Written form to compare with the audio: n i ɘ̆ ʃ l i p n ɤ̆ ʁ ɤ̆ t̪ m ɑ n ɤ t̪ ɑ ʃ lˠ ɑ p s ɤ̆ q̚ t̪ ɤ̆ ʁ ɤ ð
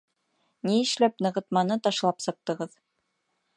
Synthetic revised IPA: n i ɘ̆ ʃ l æ p n ɤ̆ ʁ ɤ̆ t̪ m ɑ n ɤ t̪ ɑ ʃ lˠ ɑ p s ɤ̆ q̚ t̪ ɤ̆ ʁ ɤ ð